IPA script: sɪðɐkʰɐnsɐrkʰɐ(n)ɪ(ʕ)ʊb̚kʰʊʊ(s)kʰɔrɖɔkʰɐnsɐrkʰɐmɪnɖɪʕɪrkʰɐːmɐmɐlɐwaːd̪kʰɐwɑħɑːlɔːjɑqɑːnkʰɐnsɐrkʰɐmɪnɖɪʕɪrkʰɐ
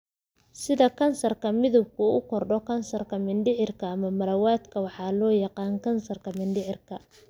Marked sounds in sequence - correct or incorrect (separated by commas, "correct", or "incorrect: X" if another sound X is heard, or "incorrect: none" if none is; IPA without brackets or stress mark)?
incorrect: m, incorrect: ð, incorrect: none